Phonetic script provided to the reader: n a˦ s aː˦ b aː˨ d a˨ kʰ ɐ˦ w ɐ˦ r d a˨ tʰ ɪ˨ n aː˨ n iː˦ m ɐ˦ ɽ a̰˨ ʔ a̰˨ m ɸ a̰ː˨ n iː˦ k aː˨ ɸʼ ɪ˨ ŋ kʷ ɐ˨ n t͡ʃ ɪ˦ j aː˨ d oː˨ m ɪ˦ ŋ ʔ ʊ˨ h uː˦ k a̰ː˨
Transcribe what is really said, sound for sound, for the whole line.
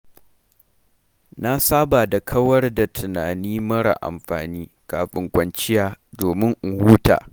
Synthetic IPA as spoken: n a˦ s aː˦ b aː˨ d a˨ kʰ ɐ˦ w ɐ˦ r d a˨ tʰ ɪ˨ n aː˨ n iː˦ m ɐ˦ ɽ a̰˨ ʔ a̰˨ m ɸ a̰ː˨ n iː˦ k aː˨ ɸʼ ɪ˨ ŋ kʷ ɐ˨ n t͡ʃ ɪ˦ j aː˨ d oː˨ m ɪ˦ ŋ ʔ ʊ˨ h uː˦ t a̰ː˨

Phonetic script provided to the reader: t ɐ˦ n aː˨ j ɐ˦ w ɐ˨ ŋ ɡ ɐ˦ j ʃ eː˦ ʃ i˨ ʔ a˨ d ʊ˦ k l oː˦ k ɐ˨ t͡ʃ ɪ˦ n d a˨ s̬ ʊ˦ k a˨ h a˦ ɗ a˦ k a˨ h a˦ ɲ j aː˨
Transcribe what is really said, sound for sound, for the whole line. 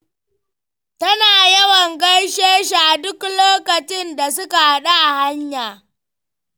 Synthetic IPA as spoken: t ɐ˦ n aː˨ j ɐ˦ w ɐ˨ ŋ ɡ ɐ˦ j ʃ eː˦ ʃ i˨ ʔ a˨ d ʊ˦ k l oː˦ k ɐ˨ t͡ʃ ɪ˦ n d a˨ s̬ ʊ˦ k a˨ h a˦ ɗ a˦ ʔ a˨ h a˦ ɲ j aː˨

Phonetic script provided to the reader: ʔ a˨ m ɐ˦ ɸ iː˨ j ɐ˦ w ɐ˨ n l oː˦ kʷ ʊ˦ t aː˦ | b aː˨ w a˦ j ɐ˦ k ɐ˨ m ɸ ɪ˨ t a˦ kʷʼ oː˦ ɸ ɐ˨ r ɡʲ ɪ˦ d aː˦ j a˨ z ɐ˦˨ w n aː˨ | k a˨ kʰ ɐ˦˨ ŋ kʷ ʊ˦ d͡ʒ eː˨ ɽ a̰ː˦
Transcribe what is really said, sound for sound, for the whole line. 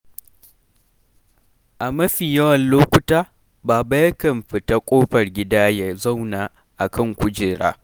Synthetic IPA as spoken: ʔ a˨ m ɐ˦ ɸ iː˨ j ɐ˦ w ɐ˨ n l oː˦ kʷ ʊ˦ t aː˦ | b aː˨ b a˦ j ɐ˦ k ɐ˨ m ɸ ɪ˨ t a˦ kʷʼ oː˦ ɸ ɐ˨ r ɡʲ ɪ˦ d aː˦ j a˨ z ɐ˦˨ w n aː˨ | ʔ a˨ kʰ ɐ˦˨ ŋ kʷ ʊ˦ d͡ʒ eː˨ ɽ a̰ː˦

